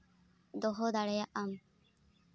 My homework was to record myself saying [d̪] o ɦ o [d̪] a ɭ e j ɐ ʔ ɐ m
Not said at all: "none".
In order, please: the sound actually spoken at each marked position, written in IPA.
d̪, d̪

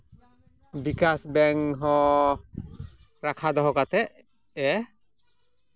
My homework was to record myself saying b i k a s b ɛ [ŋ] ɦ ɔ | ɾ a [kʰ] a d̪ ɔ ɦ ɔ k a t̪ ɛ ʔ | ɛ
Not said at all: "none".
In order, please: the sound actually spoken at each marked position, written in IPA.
ŋ, kʰ

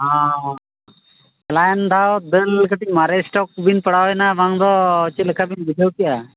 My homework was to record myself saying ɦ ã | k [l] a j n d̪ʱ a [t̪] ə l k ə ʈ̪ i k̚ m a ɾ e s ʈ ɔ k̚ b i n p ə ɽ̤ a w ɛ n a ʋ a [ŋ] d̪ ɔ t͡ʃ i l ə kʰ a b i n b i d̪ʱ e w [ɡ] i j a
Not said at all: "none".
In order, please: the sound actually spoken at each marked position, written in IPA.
l, d̪, ŋ, k

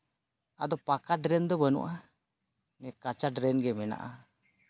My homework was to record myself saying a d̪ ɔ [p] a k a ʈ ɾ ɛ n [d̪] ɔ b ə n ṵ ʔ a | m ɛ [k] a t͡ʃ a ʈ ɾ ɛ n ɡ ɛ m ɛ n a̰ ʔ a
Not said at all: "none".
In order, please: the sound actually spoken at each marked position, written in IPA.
p, d̪, k

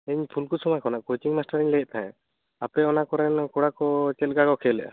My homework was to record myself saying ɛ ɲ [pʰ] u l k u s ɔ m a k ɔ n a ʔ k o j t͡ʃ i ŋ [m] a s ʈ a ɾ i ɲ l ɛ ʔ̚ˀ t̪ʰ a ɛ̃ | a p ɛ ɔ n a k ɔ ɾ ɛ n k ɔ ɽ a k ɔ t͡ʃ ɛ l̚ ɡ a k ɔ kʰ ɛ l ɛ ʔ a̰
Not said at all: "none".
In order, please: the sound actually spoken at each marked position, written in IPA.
pʰ, m

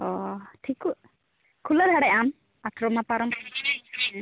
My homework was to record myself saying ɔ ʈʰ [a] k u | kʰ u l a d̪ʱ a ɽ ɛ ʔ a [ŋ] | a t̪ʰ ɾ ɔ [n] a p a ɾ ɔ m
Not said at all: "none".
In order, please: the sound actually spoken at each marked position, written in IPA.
i, m, m

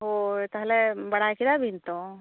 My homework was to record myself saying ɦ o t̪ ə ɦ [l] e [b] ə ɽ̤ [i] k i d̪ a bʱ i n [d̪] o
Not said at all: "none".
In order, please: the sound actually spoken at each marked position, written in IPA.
l, b, a, t̪

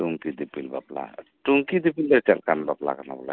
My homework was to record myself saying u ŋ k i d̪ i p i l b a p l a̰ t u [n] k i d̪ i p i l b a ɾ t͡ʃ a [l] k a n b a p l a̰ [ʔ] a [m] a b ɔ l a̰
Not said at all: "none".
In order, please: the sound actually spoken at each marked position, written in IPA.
ŋ, l, k, n

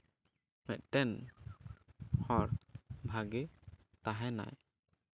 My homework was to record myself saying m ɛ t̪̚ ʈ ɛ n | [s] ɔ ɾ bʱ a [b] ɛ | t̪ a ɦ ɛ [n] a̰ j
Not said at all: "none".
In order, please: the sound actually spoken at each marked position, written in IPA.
h, ɡ, n

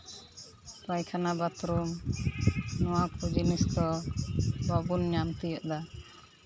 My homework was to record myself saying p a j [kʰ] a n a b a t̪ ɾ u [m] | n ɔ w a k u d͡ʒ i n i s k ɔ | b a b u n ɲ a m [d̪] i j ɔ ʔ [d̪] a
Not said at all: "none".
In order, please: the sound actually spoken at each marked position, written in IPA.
kʰ, m, t̪, d̪

